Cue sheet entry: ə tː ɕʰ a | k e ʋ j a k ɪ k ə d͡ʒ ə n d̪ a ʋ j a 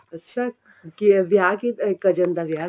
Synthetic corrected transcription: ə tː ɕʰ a | k i ʋ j a k i k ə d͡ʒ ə n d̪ a ʋ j a